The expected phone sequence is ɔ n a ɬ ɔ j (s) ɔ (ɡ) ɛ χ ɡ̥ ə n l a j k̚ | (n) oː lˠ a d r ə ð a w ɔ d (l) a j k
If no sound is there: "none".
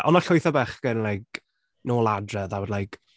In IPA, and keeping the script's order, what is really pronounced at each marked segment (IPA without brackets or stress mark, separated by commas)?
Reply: θ, b, n, l